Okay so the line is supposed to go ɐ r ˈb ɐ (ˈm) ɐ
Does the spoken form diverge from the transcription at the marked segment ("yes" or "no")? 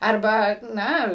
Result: yes